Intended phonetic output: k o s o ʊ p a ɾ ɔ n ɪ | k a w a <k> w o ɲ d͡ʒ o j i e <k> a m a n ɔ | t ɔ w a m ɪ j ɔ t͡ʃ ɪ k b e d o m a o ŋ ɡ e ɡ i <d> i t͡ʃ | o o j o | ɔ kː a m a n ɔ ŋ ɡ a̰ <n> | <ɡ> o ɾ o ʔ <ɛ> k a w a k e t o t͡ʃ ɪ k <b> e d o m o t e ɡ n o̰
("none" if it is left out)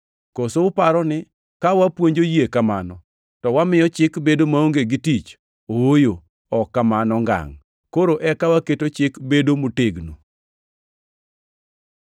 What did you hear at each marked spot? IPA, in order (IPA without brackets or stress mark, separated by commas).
p, k, t, ŋ, k, ɛ, b